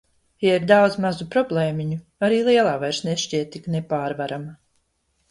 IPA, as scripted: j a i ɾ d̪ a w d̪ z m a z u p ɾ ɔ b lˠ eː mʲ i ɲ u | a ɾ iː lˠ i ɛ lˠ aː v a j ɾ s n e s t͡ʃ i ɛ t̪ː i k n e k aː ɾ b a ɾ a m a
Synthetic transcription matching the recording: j a i ɾ d̪ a w d̪ z m a z u p ɾ ɔ b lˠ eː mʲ i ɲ u | a ɾ iː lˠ i ɛ lˠ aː v a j ɾ s n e ʃ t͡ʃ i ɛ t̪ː i k n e p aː ɾ v a ɾ a m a

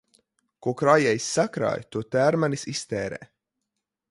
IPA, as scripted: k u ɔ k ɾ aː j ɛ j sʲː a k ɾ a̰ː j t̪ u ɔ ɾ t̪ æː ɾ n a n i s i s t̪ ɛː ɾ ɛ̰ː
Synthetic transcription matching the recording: k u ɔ k ɾ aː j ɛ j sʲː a k ɾ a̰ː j t̪ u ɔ t̪ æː ɾ m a n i s i s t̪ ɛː ɾ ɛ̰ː

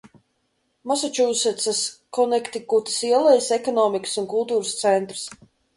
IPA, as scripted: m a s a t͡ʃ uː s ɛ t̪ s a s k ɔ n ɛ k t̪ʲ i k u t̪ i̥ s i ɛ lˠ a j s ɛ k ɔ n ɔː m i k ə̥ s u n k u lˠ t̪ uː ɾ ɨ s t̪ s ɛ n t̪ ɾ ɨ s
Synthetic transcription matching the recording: m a s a t͡ʃ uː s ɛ t̪ s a s k ɔ n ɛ k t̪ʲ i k u t̪ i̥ s i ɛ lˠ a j s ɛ k ɔ n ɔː m i k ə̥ s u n k u lˠ t̪ uː ɾ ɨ s t̪ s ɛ n t̪ ɾ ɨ s

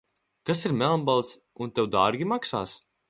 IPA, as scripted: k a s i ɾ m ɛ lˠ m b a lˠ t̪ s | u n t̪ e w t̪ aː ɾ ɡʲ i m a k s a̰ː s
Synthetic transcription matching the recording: k a s i ɾ m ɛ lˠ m b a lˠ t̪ s | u n t̪ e w d̪ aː ɾ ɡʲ i m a k s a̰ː s

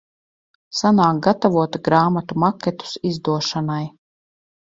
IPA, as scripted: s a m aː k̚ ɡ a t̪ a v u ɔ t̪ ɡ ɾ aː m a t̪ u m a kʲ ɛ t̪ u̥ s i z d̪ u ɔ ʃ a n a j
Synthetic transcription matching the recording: s a n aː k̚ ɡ a t̪ a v u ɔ t̪ ɡ ɾ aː m a t̪ u m a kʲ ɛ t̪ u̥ s i z d̪ u ɔ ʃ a n a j

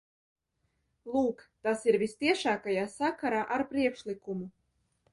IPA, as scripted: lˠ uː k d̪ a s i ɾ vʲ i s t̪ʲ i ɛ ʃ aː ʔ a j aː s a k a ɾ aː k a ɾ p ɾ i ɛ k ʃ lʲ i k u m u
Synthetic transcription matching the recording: lˠ uː k t̪ a s i ɾ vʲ i s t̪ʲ i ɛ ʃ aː k a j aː s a k a ɾ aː ʔ a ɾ p ɾ i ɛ k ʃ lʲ i k u m u

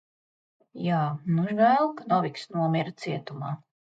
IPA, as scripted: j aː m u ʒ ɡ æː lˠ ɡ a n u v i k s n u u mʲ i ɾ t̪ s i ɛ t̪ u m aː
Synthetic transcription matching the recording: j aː n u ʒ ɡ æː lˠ k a n ɔ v i k s n u ɔ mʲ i ɾ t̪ s i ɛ t̪ u m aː

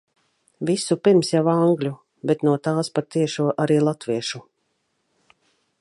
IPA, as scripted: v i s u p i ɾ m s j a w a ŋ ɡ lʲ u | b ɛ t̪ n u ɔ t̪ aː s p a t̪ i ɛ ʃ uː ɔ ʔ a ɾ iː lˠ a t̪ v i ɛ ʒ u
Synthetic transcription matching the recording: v i s u p i ɾ m s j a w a ŋ ɡ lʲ u | b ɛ t̪ n u ɔ t̪ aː s p a t̪ i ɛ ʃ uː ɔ ʔ a ɾ iː lˠ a t̪ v i ɛ ʃ u

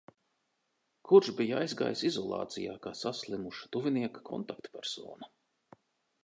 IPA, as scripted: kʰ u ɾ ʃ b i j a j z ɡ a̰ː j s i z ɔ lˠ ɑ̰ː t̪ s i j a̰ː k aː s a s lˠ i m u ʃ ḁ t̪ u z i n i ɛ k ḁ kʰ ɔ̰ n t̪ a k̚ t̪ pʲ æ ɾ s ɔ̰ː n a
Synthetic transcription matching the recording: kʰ u ɾ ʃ b i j a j z ɡ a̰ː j s i z ɔ lˠ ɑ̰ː t̪ s i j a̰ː k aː s a s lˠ i m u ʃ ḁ t̪ u v i n i ɛ k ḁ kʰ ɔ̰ n t̪ a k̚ t̪ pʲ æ ɾ s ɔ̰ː n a

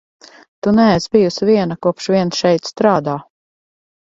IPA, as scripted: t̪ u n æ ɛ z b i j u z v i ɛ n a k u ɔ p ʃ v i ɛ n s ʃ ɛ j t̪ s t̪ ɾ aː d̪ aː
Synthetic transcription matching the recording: t̪ u n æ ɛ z b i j u s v i ɛ n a k u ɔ p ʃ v i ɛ n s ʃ ɛ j t̪ s t̪ ɾ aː d̪ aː

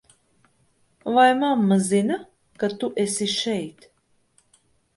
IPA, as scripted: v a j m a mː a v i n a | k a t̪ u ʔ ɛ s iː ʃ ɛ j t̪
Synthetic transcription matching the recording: v a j m a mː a z i n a | k a t̪ u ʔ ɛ s i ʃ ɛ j t̪

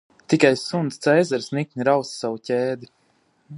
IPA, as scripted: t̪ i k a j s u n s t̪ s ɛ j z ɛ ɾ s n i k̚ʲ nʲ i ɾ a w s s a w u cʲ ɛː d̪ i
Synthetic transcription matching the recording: t̪ i k a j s u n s t̪ s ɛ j z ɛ ɾ s n i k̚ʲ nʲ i ɾ a w s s a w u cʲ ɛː d̪ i

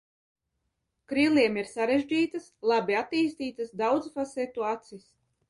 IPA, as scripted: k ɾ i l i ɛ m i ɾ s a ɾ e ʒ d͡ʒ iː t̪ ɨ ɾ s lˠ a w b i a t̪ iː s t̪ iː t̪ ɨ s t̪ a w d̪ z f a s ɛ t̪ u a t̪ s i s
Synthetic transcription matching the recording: k ɾ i l i ɛ m i ɾ s a ɾ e ʒ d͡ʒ iː t̪ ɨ s lˠ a b i a t̪ iː s t̪ iː t̪ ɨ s d̪ a w d̪ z f a s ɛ t̪ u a t̪ s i s

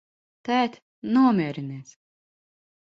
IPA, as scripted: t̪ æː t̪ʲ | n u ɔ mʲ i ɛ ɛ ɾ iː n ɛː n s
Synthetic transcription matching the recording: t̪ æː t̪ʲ | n u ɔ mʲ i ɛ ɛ ɾ i n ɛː s

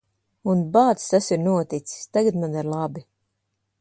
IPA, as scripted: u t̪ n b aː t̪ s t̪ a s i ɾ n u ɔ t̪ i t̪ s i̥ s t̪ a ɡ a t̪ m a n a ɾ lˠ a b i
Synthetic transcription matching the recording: u n b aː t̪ s t̪ a s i ɾ n u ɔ t̪ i t̪ s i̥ s t̪ a ɡ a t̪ m a n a ɾ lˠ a b i

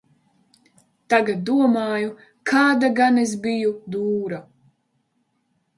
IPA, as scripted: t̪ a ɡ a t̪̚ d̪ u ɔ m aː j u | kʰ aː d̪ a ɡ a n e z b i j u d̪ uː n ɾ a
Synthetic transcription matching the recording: t̪ a ɡ a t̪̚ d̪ u ɔ m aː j u | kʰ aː d̪ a ɡ a n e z b i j u d̪ uː ɾ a

